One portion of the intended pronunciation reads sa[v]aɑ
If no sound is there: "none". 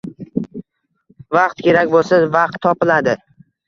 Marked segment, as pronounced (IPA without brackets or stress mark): v